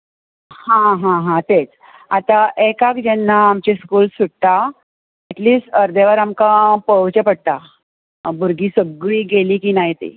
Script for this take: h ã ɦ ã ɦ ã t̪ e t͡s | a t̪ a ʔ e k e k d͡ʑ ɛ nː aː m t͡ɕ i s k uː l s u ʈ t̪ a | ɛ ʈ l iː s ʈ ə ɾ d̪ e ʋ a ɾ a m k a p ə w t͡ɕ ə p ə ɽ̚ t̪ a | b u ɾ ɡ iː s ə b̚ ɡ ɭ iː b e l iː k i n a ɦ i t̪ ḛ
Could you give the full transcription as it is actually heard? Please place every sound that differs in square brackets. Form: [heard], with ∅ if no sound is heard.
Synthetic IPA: h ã ɦ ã ɦ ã t̪ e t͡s | a t̪ a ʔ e k [a] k d͡ʑ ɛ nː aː m t͡ɕ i s k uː l s u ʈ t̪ a | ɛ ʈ l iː s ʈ ə ɾ d̪ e ʋ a ɾ a m k a p ə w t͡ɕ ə p ə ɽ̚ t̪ a | b u ɾ ɡ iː s ə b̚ ɡ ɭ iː [ɡ] e l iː k i n a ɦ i t̪ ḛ

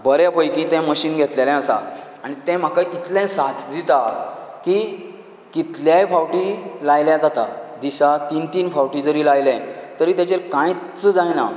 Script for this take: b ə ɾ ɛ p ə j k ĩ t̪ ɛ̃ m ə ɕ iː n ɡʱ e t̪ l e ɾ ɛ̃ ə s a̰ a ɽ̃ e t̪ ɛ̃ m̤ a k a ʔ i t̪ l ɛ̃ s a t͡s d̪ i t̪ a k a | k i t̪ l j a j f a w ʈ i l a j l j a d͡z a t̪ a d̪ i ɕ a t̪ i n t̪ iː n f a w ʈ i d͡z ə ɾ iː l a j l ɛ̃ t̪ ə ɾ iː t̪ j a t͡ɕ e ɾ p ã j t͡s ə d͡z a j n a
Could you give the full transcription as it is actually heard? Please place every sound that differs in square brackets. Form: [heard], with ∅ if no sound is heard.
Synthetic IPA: b ə ɾ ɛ p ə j k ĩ t̪ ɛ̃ m ə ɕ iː n ɡʱ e t̪ l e [l] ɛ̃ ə s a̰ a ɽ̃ [i] t̪ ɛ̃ m̤ a k a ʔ i t̪ l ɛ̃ s a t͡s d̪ i t̪ a k [i] | k i t̪ l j a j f a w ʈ i l a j l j a d͡z a t̪ a d̪ i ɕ a t̪ i n t̪ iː n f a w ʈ i d͡z ə ɾ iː l a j l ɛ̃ t̪ ə ɾ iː t̪ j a t͡ɕ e ɾ [k] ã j t͡s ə d͡z a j n a

